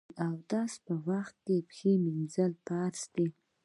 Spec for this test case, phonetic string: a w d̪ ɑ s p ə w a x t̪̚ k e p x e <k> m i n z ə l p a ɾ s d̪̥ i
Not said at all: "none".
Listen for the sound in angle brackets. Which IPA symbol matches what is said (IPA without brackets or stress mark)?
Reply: none